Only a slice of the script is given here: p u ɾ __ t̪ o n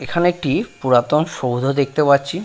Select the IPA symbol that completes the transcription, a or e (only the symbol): a